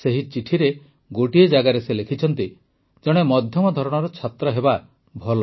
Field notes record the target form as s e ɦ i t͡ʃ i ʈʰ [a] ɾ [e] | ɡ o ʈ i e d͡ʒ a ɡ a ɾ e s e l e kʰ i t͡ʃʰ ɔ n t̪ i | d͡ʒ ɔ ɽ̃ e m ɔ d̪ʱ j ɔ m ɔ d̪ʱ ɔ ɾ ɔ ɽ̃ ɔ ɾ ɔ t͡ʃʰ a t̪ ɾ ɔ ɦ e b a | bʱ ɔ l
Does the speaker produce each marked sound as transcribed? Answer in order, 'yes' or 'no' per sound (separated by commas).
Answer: no, yes